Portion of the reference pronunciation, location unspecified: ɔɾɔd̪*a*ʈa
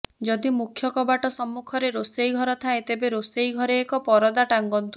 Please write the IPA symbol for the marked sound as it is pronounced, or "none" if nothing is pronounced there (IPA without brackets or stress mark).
a